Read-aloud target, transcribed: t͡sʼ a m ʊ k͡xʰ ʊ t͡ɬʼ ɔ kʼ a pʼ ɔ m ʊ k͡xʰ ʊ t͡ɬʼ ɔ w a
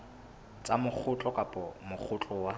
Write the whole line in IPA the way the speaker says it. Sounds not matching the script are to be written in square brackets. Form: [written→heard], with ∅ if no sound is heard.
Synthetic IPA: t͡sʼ a m ʊ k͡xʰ ʊ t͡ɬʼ ɔ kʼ a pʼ ɔ m ʊ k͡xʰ ʊ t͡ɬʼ ɔ w a

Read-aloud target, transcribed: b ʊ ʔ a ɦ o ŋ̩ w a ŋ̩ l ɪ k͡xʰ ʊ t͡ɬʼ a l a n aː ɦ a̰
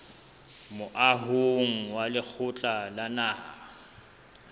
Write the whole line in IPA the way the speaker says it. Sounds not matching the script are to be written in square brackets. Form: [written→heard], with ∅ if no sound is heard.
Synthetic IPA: [b→m] ʊ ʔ a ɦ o ŋ̩ w a [ŋ̩→∅] l ɪ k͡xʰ ʊ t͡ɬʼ a l a n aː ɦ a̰

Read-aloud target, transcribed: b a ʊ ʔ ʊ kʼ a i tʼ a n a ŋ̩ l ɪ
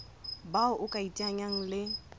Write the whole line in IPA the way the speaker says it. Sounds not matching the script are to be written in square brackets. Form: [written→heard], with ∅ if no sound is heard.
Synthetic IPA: b a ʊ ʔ ʊ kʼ a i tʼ a [n→ɲ] a ŋ̩ l ɪ

